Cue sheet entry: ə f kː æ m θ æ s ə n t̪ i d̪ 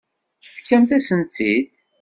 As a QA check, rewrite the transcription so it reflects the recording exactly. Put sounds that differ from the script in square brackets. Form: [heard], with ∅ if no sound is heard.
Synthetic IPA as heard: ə f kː æ m θ æ s ə n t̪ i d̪